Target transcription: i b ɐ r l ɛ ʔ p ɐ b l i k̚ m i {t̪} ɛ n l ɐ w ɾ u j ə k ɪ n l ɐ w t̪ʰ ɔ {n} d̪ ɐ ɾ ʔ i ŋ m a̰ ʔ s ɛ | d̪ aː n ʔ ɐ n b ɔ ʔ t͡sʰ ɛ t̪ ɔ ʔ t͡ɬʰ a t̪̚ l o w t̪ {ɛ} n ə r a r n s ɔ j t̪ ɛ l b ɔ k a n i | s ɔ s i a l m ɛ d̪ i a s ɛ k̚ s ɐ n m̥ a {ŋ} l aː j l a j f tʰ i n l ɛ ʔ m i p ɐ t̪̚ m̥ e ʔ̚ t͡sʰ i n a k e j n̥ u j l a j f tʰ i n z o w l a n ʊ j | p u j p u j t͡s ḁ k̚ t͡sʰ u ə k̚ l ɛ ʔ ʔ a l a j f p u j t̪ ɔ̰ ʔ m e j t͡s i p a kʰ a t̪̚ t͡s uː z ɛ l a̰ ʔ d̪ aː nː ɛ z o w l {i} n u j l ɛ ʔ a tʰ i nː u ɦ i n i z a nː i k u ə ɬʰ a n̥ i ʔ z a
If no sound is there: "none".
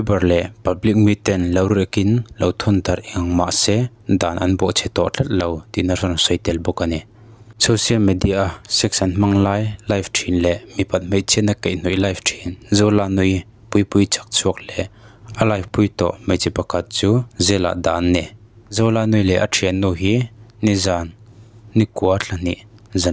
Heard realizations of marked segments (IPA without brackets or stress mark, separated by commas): t̪, n, i, ŋ, a